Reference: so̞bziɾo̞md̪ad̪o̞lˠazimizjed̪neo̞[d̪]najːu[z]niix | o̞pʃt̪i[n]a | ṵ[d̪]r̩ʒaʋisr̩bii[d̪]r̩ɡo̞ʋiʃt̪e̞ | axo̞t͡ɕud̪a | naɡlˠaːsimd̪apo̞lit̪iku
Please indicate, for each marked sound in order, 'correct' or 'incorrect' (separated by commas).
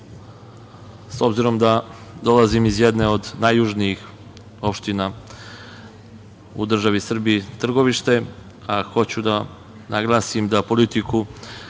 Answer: correct, incorrect, correct, correct, incorrect